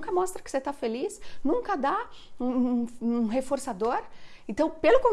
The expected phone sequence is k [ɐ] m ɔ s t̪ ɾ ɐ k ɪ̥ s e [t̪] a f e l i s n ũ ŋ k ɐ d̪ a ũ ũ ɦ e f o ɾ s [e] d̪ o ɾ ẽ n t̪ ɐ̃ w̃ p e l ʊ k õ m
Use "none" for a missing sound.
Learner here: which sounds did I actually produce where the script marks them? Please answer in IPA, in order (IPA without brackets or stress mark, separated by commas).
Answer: ɐ, t̪, a